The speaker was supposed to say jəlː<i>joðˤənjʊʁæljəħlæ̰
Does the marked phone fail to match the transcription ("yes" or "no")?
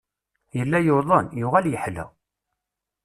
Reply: yes